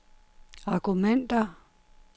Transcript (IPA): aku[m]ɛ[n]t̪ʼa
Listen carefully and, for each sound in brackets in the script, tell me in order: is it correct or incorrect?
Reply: correct, correct

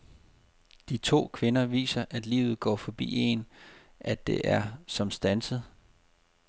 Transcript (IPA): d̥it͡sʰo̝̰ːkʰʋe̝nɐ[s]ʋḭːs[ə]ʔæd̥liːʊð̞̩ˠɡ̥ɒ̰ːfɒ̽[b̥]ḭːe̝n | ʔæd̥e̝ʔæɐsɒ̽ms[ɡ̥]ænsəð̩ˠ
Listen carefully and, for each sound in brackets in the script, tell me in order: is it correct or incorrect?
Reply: incorrect, incorrect, correct, incorrect

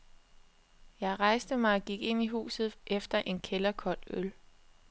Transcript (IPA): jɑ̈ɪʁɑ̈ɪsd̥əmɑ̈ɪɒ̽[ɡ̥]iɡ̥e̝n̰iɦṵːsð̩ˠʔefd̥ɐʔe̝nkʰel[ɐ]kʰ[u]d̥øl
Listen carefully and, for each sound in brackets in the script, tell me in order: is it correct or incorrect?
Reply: correct, correct, incorrect

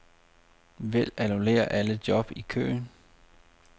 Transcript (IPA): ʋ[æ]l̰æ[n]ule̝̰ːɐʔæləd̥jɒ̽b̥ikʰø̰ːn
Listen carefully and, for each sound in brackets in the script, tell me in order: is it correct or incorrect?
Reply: incorrect, correct

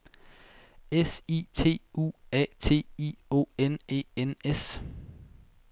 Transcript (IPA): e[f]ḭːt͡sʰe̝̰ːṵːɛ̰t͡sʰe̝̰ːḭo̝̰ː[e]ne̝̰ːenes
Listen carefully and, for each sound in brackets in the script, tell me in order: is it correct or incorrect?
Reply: incorrect, correct

